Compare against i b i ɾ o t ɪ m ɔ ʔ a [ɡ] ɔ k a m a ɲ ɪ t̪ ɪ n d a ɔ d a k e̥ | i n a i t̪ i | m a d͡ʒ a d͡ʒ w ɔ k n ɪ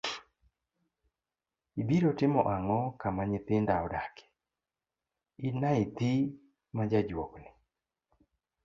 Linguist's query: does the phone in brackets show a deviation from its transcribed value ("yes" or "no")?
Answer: yes